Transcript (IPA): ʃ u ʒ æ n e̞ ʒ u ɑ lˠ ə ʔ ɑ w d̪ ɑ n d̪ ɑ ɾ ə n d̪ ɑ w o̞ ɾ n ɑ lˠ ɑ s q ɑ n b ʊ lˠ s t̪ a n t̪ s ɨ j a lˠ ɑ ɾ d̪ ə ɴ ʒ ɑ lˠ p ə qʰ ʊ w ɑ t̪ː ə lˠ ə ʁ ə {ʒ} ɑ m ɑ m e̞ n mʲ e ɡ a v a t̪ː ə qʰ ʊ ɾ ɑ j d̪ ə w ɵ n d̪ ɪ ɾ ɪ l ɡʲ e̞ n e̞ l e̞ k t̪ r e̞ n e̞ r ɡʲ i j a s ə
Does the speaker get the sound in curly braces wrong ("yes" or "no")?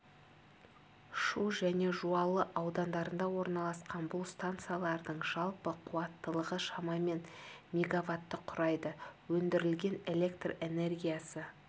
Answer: yes